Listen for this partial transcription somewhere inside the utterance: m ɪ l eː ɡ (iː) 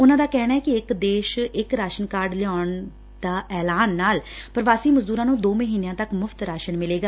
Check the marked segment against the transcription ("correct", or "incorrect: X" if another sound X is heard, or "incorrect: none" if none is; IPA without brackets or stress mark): incorrect: aː